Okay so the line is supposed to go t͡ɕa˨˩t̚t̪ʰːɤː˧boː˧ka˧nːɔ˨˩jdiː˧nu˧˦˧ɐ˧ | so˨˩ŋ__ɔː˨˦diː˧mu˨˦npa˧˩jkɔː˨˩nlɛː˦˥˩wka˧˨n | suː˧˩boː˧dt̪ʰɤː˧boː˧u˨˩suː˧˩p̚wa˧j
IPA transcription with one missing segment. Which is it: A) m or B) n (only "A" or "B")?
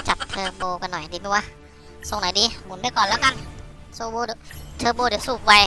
B